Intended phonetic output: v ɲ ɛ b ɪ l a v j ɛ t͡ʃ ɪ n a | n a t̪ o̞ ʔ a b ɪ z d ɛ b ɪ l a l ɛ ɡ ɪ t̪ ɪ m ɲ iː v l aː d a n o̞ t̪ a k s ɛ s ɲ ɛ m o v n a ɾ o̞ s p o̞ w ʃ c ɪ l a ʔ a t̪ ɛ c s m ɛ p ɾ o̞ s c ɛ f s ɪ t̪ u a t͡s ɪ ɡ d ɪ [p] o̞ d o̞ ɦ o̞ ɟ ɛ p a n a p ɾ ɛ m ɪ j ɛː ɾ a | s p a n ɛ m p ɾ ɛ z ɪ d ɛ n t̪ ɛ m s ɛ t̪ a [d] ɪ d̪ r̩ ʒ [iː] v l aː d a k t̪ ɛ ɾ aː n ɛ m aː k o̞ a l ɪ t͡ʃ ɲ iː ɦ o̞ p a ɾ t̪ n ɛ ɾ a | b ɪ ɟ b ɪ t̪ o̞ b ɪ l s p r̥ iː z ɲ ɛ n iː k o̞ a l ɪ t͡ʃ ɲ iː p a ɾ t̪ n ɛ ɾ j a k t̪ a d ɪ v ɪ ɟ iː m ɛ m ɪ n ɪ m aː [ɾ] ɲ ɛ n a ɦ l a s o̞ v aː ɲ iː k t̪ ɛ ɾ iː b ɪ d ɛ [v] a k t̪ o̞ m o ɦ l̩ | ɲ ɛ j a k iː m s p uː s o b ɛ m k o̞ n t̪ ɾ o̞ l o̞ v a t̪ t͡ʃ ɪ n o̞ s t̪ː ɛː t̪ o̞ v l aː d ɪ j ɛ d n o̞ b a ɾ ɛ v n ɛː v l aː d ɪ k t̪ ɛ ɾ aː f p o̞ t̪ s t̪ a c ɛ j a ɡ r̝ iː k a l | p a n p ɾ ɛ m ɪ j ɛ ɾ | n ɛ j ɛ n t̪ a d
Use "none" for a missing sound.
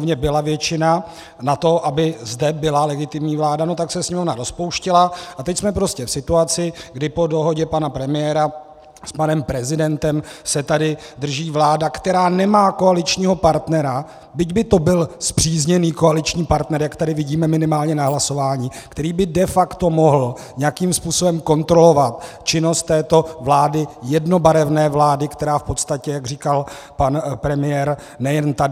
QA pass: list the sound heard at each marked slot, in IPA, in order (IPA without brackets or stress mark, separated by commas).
p, d, iː, l, f